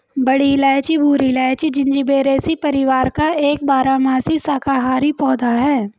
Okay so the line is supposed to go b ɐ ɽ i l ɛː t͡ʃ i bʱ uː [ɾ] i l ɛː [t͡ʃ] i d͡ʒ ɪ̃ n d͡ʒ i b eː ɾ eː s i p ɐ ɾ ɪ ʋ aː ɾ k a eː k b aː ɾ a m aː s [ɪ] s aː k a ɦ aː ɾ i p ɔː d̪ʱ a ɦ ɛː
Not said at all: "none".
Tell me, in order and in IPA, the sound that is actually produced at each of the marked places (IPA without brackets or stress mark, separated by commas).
ɾ, t͡ʃ, i